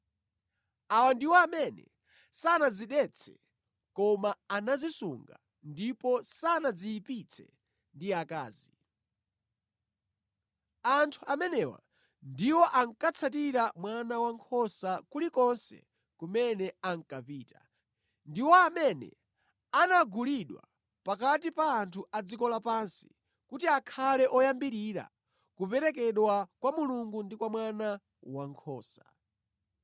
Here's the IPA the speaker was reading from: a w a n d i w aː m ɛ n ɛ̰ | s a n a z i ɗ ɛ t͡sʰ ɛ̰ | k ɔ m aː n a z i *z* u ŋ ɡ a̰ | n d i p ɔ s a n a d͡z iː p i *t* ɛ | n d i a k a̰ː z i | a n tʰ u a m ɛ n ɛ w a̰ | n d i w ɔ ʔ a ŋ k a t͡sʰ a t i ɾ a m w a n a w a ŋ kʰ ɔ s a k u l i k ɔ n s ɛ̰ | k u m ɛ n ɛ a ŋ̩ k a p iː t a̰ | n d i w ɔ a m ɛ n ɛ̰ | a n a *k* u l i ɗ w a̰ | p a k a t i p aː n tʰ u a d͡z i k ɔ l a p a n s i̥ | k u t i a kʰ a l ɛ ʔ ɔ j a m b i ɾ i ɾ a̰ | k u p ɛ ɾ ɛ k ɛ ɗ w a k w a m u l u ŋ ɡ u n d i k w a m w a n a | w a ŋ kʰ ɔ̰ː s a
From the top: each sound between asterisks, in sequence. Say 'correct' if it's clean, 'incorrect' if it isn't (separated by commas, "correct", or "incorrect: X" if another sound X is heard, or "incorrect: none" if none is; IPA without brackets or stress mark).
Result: incorrect: s, incorrect: t͡sʰ, incorrect: ɡ